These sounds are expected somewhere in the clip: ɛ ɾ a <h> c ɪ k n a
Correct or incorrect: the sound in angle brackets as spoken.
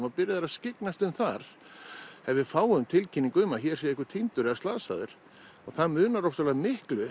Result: incorrect: s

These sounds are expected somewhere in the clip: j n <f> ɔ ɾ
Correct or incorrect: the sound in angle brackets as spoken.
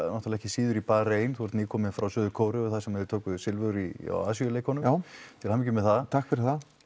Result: incorrect: θ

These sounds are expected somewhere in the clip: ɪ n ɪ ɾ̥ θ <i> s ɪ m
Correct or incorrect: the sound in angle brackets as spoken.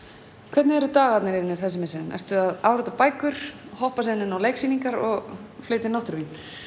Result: incorrect: ɛ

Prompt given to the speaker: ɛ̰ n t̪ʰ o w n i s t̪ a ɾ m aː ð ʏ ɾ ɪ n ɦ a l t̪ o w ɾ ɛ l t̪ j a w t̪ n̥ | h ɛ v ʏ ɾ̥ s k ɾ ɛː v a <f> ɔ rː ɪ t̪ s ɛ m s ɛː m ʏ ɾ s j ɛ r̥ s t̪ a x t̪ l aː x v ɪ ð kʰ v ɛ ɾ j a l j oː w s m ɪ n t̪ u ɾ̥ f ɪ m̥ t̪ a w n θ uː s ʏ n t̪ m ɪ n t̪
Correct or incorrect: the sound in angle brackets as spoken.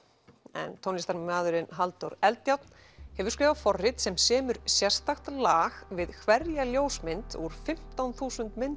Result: correct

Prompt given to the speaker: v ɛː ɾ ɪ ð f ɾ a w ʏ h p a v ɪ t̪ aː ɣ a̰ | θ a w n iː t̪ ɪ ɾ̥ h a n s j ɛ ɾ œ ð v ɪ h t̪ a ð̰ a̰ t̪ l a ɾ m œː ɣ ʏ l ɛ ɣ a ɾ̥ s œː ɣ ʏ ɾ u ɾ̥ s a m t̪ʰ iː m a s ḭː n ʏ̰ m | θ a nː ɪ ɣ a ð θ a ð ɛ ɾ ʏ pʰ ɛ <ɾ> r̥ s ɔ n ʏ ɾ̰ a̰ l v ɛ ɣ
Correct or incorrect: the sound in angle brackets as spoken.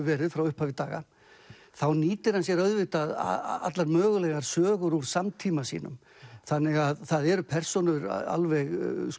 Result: incorrect: none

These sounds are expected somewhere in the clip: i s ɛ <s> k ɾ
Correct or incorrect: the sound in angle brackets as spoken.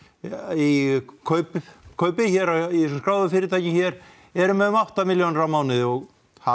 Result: correct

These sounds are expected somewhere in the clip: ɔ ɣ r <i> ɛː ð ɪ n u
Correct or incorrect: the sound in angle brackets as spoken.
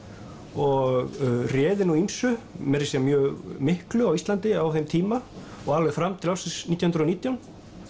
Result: incorrect: j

